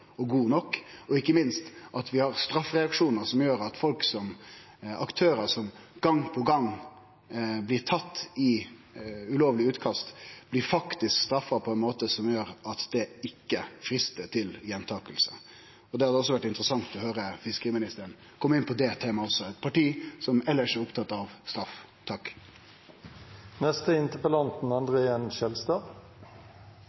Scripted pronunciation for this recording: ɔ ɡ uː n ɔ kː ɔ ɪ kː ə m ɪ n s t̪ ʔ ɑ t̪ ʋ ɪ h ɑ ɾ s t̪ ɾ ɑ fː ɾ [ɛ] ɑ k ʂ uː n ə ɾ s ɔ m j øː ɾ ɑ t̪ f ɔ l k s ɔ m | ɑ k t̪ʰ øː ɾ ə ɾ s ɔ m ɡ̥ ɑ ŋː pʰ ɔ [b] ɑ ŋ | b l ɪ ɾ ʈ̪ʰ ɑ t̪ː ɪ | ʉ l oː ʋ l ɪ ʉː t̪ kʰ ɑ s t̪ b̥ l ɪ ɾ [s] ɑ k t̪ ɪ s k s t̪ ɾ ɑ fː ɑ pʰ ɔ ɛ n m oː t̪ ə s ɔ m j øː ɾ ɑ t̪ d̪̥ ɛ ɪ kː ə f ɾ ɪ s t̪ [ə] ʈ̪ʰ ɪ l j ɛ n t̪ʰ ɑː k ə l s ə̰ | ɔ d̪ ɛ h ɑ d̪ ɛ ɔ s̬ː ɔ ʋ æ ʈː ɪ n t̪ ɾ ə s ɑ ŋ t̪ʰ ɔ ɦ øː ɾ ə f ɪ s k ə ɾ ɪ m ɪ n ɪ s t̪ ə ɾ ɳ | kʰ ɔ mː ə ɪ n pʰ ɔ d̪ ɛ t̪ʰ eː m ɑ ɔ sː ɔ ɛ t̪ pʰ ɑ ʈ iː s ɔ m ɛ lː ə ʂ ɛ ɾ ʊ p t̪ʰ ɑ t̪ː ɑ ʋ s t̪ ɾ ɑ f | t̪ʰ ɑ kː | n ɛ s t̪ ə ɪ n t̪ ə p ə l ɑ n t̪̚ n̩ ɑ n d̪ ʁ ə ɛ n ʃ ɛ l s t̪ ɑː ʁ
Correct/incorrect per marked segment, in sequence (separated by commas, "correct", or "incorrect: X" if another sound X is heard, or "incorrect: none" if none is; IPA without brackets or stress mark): correct, incorrect: ɡ, incorrect: f, correct